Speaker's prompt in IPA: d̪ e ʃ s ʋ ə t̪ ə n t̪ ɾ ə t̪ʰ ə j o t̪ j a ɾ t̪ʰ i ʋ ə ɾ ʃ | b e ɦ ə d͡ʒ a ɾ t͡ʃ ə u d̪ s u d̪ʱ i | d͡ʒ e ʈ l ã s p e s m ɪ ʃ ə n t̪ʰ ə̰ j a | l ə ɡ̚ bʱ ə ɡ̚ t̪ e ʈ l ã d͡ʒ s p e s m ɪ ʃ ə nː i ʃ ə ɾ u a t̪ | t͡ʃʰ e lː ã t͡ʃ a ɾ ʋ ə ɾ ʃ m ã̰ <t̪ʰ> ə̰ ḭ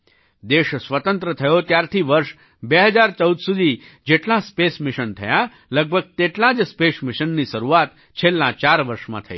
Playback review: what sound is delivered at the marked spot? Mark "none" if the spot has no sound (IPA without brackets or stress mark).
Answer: t̪ʰ